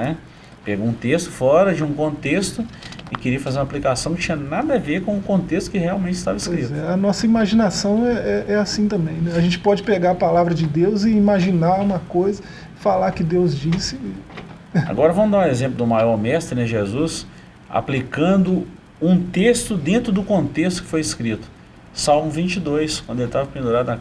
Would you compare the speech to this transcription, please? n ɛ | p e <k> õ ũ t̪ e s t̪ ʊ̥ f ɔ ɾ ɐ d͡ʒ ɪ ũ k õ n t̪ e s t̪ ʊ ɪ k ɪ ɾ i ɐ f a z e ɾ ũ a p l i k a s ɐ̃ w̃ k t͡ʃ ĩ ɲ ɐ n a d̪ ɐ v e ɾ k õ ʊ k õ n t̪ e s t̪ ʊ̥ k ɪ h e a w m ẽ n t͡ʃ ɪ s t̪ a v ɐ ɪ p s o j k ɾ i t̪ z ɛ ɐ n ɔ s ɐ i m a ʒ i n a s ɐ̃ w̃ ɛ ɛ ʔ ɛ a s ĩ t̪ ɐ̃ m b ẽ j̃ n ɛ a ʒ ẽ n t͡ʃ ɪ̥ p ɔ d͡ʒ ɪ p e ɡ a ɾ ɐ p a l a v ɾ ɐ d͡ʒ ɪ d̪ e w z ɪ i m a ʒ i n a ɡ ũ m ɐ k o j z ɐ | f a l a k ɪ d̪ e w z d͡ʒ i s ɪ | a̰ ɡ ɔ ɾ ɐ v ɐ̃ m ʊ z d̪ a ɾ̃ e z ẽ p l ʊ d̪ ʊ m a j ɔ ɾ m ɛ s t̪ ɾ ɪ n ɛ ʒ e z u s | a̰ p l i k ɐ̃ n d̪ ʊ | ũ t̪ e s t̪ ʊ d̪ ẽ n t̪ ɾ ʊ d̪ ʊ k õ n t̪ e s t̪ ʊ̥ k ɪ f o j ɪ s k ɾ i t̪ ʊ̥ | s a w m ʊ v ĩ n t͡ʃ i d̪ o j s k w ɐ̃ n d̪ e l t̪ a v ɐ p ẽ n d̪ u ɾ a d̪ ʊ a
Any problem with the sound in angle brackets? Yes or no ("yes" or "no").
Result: yes